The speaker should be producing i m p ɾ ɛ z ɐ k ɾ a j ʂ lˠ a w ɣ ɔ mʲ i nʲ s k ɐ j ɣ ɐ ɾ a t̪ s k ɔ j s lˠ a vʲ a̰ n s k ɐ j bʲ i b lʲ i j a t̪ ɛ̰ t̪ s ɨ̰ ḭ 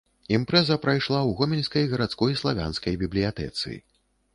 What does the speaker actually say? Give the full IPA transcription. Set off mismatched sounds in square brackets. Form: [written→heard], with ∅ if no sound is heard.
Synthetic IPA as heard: i m p ɾ ɛ z ɐ [k→p] ɾ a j ʂ lˠ a w ɣ ɔ mʲ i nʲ s k ɐ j ɣ ɐ ɾ a t̪ s k ɔ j s lˠ a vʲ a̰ n s k ɐ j bʲ i b lʲ i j a t̪ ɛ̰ t̪ s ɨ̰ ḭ